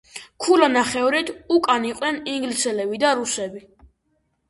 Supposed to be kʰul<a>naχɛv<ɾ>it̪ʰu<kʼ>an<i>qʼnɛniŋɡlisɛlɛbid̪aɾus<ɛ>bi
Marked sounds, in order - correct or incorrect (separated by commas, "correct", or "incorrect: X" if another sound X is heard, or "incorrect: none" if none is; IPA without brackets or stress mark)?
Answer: correct, correct, correct, correct, correct